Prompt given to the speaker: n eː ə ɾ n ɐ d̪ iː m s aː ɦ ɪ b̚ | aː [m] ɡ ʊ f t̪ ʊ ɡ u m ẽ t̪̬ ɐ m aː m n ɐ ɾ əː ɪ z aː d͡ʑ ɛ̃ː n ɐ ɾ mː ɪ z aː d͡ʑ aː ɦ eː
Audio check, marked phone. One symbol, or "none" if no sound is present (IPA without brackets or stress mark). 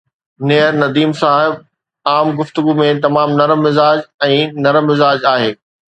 m